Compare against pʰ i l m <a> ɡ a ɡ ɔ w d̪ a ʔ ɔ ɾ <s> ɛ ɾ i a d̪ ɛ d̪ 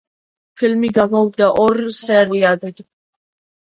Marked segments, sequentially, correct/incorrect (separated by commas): incorrect, correct